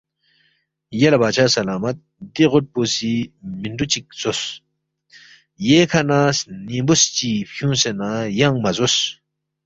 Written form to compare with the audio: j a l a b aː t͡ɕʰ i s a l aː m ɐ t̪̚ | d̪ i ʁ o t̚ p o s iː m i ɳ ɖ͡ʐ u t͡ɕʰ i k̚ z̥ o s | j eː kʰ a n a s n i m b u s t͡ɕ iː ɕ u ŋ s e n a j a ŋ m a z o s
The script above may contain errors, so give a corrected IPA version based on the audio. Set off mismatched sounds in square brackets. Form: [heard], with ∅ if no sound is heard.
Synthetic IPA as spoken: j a l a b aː t͡ɕʰ [a] s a l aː m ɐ t̪̚ | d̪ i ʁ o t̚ p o s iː m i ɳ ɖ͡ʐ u [t͡ɕ] i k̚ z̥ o s | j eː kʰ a n a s n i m b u s t͡ɕ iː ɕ u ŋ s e n a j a ŋ m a z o s